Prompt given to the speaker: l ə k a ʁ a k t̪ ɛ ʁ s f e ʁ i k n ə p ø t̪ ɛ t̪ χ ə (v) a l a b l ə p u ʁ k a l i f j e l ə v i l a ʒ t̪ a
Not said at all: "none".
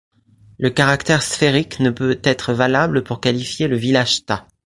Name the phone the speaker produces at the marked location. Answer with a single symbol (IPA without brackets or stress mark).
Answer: v